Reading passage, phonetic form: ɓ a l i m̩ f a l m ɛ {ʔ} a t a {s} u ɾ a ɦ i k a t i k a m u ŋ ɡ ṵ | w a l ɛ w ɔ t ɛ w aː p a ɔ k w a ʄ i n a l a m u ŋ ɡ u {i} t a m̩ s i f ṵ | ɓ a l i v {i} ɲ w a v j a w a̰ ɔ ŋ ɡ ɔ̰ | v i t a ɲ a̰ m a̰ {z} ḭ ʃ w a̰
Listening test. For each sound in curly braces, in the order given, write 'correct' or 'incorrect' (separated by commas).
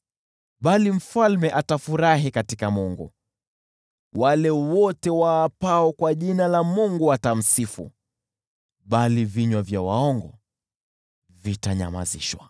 correct, incorrect, incorrect, correct, correct